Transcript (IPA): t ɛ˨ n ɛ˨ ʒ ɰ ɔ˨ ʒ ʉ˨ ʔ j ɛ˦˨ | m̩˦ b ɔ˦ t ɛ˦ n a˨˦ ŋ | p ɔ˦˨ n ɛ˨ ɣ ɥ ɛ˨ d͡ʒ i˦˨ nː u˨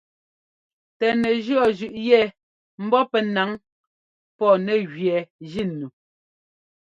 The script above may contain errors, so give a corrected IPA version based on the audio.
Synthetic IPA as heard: t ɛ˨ n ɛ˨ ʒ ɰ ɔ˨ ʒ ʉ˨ ʔ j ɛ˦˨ | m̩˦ b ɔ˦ p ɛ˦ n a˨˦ ŋ | p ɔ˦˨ n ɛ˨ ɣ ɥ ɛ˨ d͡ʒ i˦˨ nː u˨